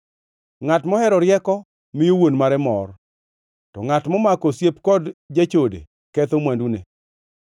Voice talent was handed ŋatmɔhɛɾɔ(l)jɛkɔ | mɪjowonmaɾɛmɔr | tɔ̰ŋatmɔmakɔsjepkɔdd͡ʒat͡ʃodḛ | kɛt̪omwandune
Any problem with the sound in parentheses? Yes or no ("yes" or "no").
yes